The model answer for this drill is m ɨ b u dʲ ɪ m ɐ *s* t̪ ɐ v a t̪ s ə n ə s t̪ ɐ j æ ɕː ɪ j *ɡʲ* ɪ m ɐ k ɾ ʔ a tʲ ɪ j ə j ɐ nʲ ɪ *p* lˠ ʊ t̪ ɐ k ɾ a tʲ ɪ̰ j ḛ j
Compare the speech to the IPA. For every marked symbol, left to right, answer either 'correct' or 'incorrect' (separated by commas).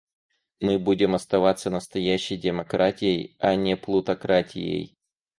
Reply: correct, incorrect, correct